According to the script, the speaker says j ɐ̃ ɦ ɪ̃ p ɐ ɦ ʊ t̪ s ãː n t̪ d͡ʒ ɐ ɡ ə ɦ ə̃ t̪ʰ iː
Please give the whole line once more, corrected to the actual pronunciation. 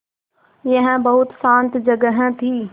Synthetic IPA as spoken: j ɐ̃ ɦ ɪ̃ b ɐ ɦ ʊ t̪ s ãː n t̪ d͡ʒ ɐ ɡ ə ɦ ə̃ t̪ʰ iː

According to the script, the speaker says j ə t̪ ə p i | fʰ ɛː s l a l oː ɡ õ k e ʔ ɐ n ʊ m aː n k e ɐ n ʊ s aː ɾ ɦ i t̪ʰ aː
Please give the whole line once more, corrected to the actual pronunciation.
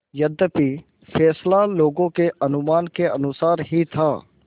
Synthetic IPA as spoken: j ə d̪ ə p i | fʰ ɛː s l a l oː ɡ õ k e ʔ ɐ n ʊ m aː n k e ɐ n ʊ s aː ɾ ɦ i t̪ʰ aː

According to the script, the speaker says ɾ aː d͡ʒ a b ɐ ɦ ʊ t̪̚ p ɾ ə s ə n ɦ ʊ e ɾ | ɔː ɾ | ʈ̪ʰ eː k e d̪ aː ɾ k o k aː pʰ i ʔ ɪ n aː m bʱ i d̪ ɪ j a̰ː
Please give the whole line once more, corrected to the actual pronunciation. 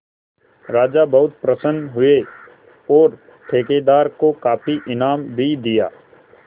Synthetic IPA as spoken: ɾ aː d͡ʒ a b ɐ ɦ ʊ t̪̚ p ɾ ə s ə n ɦ ʊ e | ɔː ɾ | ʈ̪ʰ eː k e d̪ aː ɾ k o k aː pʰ i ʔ ɪ n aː m bʱ i d̪ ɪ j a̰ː

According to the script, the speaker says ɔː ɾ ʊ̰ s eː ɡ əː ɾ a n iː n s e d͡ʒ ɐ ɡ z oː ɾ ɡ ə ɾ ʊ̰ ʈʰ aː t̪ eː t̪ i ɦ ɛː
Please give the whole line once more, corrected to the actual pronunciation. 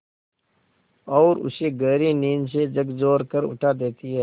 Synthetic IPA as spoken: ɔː ɾ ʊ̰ s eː ɡ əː ɾ i n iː n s e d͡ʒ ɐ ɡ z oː ɾ k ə ɾ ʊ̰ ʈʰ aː d̪ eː t̪ i ɦ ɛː

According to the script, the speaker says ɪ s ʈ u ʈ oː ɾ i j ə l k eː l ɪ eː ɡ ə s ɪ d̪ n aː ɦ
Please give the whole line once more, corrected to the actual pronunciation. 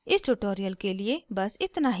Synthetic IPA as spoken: ɪ s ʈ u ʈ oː ɾ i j ə l k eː l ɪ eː b ə s ɪ t̪ n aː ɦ

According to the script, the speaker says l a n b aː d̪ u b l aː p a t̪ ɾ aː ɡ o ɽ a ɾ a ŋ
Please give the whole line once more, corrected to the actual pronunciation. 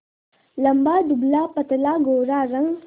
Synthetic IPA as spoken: l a m b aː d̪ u b l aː p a t̪ l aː ɡ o ɾ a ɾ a ŋ

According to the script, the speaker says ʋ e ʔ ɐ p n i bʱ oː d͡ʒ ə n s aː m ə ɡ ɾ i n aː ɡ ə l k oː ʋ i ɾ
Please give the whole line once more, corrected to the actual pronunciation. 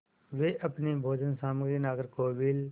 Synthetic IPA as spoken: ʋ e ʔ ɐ p n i bʱ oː d͡ʒ ə n s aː m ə ɡ ɾ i n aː ɡ ə ɾ k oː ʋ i l

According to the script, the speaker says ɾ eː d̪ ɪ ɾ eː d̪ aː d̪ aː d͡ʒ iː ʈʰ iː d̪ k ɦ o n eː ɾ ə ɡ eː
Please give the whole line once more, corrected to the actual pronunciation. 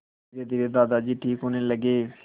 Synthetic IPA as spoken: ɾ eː d̪ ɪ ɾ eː d̪ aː d̪ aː d͡ʒ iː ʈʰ iː k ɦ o n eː l ə ɡ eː

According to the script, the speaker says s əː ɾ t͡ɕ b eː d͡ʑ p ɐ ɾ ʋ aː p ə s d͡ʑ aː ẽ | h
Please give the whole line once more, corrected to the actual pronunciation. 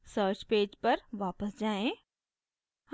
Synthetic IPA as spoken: s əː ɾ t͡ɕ p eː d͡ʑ p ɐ ɾ ʋ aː p ə s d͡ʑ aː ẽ | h

